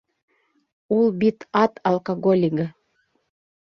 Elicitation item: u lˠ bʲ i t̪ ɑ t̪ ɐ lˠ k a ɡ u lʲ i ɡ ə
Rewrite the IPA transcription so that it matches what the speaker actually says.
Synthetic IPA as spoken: u lˠ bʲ i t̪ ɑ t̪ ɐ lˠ k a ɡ o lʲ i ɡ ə